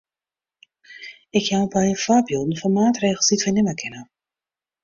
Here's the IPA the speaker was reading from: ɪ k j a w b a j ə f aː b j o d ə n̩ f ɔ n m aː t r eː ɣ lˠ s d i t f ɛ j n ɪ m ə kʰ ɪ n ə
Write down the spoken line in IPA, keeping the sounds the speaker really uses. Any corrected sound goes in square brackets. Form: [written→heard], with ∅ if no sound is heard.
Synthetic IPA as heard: ɪ k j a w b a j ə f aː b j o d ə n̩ f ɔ n m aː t r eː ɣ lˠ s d i t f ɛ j n ɪ m ə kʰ ɪ n ə